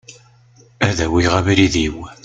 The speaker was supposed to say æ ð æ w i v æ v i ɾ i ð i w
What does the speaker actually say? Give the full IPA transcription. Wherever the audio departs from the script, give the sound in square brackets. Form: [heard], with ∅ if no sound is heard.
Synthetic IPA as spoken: æ ð æ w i [ʁ] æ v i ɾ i ð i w